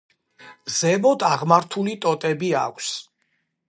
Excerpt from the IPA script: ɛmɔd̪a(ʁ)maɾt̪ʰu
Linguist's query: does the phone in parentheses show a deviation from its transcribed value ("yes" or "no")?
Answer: no